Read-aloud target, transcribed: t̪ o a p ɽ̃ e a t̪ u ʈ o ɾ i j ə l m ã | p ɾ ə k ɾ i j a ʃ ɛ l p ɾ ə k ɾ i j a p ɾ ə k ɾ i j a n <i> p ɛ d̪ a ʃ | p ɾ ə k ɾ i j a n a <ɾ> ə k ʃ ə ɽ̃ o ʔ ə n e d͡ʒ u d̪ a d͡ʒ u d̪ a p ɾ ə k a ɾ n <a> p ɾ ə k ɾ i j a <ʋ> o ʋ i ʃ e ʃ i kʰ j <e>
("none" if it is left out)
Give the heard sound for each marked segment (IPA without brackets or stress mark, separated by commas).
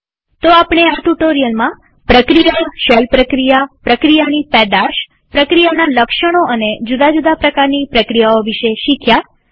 i, l, i, none, a